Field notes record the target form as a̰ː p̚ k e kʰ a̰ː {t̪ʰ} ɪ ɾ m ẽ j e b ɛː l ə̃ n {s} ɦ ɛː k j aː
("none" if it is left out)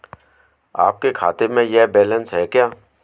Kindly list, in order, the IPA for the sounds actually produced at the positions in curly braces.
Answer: t̪, s

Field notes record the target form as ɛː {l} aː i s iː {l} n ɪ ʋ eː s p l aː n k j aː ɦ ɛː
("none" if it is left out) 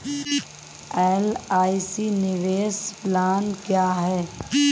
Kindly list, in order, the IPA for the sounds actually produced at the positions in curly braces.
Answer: l, none

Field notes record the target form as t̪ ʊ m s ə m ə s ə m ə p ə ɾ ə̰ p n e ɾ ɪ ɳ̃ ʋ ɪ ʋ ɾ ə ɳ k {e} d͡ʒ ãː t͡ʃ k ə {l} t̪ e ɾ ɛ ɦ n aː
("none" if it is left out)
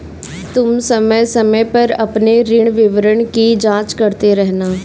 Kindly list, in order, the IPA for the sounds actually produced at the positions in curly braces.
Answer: i, ɾ

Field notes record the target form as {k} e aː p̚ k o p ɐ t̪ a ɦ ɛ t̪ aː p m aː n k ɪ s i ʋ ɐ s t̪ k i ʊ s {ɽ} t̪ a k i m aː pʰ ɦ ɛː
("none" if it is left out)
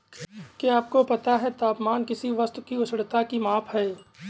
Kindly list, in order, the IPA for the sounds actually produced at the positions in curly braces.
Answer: k, ɽ

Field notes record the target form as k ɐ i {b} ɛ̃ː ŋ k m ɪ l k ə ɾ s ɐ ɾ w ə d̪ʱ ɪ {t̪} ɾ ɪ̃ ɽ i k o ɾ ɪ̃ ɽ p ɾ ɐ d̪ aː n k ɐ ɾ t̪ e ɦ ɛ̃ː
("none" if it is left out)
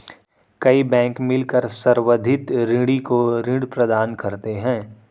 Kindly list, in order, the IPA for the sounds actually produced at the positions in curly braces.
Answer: b, t̪

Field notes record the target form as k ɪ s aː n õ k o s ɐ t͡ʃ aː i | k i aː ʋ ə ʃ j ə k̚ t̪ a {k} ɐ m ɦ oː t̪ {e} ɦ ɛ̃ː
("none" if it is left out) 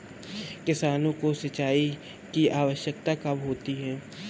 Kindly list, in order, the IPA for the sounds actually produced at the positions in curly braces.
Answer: k, i

